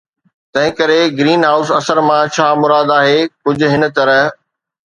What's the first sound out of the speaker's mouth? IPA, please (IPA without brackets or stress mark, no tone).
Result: t̪